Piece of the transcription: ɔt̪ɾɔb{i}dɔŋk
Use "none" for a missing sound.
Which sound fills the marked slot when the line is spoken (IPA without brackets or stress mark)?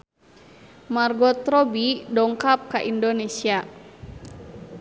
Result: i